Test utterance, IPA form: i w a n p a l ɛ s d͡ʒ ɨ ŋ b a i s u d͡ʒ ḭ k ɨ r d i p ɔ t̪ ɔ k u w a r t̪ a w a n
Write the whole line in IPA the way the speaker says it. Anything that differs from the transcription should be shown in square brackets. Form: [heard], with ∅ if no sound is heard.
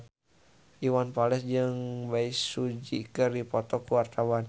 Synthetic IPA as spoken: i w a n p a l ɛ s d͡ʒ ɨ ŋ b a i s u d͡ʒ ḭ k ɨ r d i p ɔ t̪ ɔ k u w a r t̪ a w a n